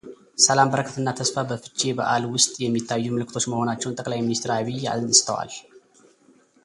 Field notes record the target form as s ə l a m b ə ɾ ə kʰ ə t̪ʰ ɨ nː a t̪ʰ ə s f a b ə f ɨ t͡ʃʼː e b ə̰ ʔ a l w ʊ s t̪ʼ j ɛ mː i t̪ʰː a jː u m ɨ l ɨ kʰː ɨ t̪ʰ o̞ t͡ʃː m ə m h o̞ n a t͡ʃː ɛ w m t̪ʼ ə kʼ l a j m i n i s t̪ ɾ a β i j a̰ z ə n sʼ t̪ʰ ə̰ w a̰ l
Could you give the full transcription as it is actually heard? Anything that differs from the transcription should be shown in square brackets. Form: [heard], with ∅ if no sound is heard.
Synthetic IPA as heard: s ə l a m b ə ɾ ə kʰ ə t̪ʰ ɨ nː a t̪ʰ ə s f a b ə f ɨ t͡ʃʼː e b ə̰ ʔ a l w ʊ s t̪ʼ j ɛ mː i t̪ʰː a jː u m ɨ l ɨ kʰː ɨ t̪ʰ o̞ t͡ʃː m ə [∅] h o̞ n a t͡ʃː ɛ w [n] t̪ʼ ə kʼ l a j m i n i s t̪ ɾ a β i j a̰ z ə n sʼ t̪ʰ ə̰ w a̰ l